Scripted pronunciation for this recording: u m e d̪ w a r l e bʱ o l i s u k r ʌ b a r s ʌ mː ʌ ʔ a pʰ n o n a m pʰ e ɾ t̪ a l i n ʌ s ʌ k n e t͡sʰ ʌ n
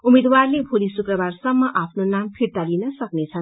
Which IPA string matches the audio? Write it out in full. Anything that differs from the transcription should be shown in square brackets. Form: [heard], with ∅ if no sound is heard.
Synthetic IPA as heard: u m e d̪ w a r l e bʱ o l i s u k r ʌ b a r s ʌ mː ʌ ʔ a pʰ n o n a m pʰ [i] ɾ t̪ a l i n ʌ s ʌ k n e t͡sʰ ʌ n

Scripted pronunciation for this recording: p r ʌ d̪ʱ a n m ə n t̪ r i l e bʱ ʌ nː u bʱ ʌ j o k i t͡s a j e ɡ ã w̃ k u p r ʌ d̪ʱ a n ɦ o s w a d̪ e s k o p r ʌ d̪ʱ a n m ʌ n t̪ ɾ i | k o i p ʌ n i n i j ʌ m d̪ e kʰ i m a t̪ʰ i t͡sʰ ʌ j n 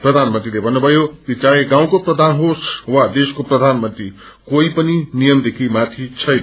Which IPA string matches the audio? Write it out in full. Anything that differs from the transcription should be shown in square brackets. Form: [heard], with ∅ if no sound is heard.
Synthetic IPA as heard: p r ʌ d̪ʱ a n m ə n t̪ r i l e bʱ ʌ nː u bʱ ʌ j o k i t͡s a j e ɡ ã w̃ k [o] p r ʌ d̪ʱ a n ɦ o s w a d̪ e s k o p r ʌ d̪ʱ a n m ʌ n t̪ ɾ i | k o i p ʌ n i n i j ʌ m d̪ e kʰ i m a t̪ʰ i t͡sʰ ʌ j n

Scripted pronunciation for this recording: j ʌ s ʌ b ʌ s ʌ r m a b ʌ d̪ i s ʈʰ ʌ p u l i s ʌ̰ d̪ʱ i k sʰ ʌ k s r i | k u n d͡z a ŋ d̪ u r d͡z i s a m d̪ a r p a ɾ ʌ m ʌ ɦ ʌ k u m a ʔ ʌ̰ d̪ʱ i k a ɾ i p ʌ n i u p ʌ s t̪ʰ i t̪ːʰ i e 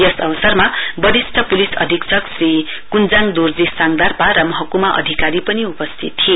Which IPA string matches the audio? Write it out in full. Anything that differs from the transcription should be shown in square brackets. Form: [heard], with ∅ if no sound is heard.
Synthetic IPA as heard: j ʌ s ʌ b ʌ s ʌ r m a b ʌ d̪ i s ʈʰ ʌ p u l i s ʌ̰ d̪ʱ i k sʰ ʌ k s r i | k u n d͡z a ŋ d̪ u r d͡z i s a [ŋ] d̪ a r p a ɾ ʌ m ʌ ɦ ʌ k u m a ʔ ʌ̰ d̪ʱ i k a ɾ i p ʌ n i u p ʌ s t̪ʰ i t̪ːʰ i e

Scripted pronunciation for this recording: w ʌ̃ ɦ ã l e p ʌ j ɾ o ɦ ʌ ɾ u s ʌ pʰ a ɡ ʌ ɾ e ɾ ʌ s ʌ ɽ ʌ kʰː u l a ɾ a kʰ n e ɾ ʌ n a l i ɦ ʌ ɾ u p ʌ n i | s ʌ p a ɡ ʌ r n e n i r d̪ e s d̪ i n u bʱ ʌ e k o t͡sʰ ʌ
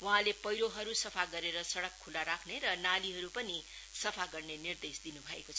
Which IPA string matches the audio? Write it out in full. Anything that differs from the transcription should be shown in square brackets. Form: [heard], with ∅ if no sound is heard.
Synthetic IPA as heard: w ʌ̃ ɦ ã l e p ʌ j ɾ o ɦ ʌ ɾ u s ʌ pʰ a ɡ ʌ ɾ e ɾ ʌ s ʌ ɽ ʌ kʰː u l a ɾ a kʰ n e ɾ ʌ n a l i ɦ ʌ ɾ u p ʌ n i | s ʌ [pʰ] a ɡ ʌ r n e n i r d̪ e s d̪ i n u bʱ ʌ e k o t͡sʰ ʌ

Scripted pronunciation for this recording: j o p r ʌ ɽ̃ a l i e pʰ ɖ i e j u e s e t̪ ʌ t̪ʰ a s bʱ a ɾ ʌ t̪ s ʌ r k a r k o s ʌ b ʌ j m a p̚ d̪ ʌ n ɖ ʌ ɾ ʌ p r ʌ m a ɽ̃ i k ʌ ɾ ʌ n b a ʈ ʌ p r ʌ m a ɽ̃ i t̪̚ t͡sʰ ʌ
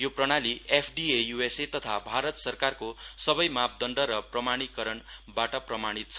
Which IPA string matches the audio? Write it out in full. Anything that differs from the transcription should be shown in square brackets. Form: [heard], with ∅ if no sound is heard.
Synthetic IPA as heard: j o p r ʌ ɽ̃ a l i e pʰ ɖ i e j u e s e t̪ ʌ t̪ʰ a [∅] bʱ a ɾ ʌ t̪ s ʌ r k a r k o s ʌ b ʌ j m a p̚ d̪ ʌ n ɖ ʌ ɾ ʌ p r ʌ m a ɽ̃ i k ʌ ɾ ʌ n b a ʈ ʌ p r ʌ m a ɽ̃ i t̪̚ t͡sʰ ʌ

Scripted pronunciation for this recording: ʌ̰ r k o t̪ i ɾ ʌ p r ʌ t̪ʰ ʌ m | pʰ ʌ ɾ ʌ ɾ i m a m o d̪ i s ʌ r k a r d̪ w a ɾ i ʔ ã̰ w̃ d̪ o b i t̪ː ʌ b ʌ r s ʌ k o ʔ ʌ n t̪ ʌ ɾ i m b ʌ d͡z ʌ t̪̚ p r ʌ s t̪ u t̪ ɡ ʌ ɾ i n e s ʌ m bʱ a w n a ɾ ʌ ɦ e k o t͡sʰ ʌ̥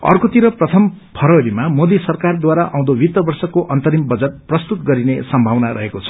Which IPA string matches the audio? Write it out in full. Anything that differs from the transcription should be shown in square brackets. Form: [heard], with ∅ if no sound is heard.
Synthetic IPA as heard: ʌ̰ r k o t̪ i ɾ ʌ p r ʌ t̪ʰ ʌ m | pʰ ʌ ɾ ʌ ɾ i m a m o d̪ i s ʌ r k a r d̪ w a ɾ [a] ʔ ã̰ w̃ d̪ o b i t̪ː ʌ b ʌ r s ʌ k o ʔ ʌ n t̪ ʌ ɾ i m b ʌ d͡z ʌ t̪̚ p r ʌ s t̪ u t̪ ɡ ʌ ɾ i n e s ʌ m bʱ a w n a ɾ ʌ ɦ e k o t͡sʰ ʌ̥

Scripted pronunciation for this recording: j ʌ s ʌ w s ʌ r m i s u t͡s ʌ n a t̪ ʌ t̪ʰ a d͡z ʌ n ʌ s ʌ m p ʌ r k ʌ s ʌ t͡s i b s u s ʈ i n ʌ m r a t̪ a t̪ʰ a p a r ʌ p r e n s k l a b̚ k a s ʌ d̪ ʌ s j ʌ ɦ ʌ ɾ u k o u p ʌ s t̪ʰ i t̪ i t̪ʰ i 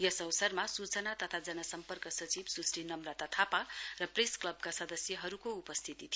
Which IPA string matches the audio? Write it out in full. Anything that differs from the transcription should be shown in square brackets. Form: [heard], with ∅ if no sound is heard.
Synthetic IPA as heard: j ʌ s ʌ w s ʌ r m [a] s u t͡s ʌ n a t̪ ʌ t̪ʰ a d͡z ʌ n ʌ s ʌ m p ʌ r k ʌ s ʌ t͡s i b s u s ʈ i n ʌ m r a t̪ a t̪ʰ a p a r ʌ p r e [∅] s k l [ʌ] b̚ k a s ʌ d̪ ʌ s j ʌ ɦ ʌ ɾ u k o u p ʌ s t̪ʰ i t̪ i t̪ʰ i

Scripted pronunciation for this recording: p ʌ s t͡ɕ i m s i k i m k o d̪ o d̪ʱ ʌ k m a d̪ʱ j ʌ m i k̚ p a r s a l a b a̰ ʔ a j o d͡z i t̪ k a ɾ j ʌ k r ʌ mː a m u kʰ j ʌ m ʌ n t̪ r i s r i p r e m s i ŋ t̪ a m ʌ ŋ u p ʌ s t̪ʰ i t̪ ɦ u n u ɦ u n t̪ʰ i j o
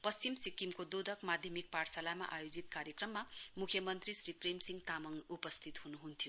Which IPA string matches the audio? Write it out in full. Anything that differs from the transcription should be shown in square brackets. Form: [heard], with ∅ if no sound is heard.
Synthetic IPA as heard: p ʌ s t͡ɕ i m s i k i m k o d̪ o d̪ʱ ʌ k m a d̪ʱ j ʌ m i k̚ p a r s a l a [m] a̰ ʔ a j o d͡z i t̪ k a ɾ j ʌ k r ʌ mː a m u kʰ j ʌ m ʌ n t̪ r i s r i p r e m s i ŋ t̪ a m ʌ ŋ u p ʌ s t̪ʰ i t̪ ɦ u n u ɦ u n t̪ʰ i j o

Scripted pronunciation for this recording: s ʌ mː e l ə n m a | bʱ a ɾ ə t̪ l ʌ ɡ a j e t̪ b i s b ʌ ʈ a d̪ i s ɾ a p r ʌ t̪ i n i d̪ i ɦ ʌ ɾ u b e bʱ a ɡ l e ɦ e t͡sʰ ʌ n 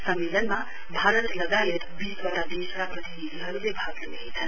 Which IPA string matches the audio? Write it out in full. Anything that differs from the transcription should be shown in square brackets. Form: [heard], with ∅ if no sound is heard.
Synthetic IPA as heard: s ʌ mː e l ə n m a | bʱ a ɾ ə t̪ l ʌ ɡ a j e t̪ b i s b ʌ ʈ a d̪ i s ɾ a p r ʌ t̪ i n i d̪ i ɦ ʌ ɾ u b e bʱ a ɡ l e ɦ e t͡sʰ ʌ n

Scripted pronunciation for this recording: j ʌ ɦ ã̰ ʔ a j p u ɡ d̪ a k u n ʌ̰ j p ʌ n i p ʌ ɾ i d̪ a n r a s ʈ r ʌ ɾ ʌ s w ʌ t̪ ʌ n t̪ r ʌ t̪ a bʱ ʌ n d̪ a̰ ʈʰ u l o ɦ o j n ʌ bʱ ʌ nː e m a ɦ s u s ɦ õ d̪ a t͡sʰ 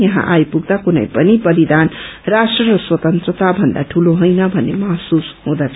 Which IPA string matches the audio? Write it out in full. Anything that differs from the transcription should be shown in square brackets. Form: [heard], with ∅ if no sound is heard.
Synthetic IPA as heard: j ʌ ɦ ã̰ ʔ a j p u ɡ d̪ a k u n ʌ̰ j p ʌ n i p ʌ ɾ i d̪ a n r a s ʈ r ʌ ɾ ʌ s w ʌ t̪ ʌ n t̪ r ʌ t̪ a bʱ ʌ n d̪ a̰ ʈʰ u l o ɦ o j n ʌ bʱ ʌ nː e m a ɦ s u s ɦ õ d̪ a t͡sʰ

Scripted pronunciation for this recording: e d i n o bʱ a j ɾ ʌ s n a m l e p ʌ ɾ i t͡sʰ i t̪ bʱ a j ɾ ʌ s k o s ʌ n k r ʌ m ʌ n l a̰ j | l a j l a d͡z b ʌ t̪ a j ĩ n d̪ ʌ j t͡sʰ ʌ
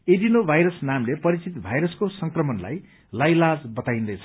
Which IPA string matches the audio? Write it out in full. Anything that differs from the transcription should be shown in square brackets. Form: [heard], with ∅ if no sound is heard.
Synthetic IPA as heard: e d i n o bʱ a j ɾ ʌ s n a m l e p ʌ ɾ i [t͡s] i t̪ bʱ a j ɾ ʌ s k o s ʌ [ŋ] k r ʌ m ʌ n l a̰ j | l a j l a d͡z b ʌ t̪ a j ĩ n d̪ ʌ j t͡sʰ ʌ

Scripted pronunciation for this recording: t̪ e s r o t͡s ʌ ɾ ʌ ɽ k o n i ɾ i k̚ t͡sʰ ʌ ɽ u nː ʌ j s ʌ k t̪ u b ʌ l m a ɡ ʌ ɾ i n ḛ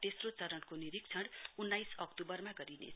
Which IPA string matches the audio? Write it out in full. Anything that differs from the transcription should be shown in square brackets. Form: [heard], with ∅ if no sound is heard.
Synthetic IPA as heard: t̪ e s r o t͡s ʌ ɾ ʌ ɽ k o n i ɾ i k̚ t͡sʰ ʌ ɽ u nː [a] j s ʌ k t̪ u b ʌ [r] m a ɡ ʌ ɾ i n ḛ

